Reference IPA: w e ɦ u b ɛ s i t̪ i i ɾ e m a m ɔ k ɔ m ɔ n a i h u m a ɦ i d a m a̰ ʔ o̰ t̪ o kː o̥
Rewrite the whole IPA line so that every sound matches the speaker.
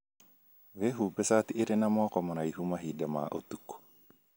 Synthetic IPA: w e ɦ u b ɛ s a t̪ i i ɾ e n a m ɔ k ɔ m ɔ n a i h u m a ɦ i d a m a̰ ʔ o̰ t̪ u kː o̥